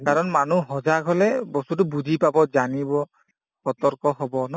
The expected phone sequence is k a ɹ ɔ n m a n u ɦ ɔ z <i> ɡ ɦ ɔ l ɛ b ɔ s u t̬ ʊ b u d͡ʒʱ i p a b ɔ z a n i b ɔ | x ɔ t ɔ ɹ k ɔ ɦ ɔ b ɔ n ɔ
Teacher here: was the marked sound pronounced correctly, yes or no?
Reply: no